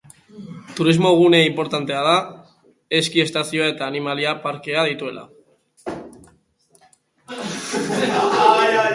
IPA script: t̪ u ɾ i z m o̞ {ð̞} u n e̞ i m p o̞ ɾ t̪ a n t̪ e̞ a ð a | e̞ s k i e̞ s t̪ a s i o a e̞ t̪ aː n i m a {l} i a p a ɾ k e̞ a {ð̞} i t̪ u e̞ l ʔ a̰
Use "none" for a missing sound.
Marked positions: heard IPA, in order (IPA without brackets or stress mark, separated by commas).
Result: ɣ̞, l, ð̞